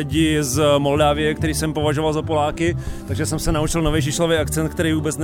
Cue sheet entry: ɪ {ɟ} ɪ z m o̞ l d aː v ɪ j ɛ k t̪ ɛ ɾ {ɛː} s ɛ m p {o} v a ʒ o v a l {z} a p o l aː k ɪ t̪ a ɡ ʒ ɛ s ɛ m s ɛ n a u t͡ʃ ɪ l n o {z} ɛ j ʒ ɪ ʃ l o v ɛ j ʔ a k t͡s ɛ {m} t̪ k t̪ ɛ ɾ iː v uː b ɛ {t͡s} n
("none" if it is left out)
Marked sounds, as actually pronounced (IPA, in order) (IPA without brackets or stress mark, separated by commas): ɟ, iː, o, z, v, n, t͡s